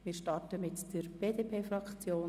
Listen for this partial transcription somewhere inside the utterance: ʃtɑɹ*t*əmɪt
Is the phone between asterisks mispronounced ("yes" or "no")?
no